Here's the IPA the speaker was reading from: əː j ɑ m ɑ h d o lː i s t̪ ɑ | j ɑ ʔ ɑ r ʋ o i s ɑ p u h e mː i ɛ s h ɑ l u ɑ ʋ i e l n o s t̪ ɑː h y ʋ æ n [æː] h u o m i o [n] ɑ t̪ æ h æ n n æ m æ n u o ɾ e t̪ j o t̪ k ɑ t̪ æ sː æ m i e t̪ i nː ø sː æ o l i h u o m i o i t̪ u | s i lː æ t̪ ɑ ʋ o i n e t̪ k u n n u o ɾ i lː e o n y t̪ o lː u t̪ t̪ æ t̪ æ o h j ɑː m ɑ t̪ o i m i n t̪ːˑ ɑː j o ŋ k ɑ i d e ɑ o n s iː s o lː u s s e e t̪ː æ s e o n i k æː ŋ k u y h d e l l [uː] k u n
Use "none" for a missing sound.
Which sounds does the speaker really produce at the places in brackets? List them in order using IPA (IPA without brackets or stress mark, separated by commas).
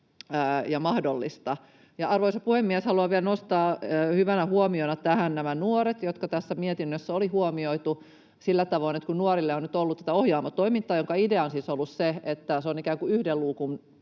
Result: æ, n, uː